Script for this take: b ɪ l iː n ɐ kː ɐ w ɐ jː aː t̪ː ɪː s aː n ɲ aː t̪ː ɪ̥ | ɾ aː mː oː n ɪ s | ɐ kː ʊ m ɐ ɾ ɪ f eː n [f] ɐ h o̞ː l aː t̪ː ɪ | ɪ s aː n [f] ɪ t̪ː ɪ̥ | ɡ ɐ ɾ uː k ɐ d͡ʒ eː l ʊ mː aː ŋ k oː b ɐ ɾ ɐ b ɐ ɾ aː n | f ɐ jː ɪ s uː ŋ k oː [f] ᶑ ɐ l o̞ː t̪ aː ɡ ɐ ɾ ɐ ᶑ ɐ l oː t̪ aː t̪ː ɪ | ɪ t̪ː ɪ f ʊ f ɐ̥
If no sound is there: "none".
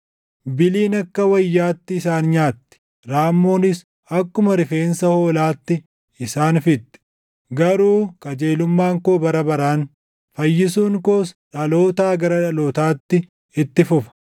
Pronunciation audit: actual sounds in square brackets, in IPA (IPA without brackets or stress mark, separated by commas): s, f, s